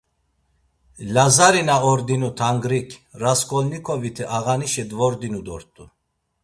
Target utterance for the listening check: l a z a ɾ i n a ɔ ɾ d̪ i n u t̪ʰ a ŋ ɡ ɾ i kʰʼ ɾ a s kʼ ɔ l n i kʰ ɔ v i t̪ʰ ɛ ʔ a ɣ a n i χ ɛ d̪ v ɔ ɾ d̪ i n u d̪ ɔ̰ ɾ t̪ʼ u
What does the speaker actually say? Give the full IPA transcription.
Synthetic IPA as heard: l a z a ɾ i n a ɔ ɾ d̪ i n u t̪ʰ a ŋ ɡ ɾ i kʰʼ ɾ a s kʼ ɔ l n i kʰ ɔ v i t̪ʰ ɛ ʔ a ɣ a n i ʃ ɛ d̪ v ɔ ɾ d̪ i n u d̪ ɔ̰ ɾ t̪ʼ u